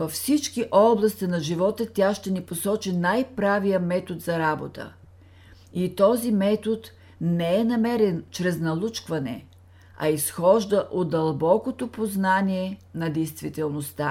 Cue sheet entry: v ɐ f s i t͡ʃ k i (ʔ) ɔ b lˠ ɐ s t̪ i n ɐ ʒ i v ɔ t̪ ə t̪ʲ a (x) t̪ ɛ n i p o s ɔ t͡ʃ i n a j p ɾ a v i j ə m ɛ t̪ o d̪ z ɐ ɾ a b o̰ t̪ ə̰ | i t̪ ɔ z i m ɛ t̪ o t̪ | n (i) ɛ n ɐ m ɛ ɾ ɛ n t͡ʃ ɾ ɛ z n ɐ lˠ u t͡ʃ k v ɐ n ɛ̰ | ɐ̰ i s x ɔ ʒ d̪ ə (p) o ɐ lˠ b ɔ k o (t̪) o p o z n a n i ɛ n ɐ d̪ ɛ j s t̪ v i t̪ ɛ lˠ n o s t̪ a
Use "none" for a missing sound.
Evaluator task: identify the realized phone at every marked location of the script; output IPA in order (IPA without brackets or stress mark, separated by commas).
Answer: ʔ, ʃ, ɛ, ʔ, t̪